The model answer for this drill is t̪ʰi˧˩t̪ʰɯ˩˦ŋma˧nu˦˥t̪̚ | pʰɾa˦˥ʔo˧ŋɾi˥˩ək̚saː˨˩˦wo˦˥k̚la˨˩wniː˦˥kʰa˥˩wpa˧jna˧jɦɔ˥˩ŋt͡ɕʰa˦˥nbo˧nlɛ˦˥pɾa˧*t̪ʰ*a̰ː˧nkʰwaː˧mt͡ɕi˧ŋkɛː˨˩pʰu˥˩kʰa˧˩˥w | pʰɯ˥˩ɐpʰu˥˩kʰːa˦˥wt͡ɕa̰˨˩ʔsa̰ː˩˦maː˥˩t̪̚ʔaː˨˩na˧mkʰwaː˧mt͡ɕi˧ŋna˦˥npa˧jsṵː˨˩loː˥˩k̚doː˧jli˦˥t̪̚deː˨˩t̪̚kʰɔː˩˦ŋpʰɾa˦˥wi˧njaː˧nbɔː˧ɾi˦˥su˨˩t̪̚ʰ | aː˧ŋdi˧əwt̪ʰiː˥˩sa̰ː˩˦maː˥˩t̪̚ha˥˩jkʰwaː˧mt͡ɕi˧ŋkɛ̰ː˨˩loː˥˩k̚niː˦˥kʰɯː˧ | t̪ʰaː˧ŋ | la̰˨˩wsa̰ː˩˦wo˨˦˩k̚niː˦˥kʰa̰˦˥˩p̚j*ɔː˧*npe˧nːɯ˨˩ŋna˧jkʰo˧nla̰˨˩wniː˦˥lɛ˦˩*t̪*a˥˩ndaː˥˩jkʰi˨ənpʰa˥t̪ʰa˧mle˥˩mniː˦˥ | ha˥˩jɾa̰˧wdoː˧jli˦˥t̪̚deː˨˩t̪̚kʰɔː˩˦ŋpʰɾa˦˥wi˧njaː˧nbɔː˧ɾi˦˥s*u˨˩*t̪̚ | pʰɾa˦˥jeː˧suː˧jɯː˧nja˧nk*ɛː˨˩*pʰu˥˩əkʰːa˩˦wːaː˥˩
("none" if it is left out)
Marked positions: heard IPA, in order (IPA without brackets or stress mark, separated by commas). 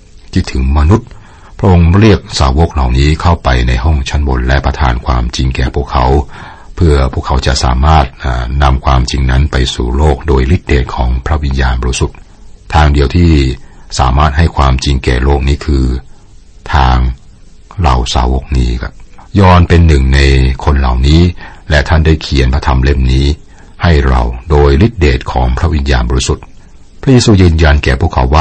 t̪ʰ, ɔː˧, t̪ʰ, u˨˩, ɛː˨˩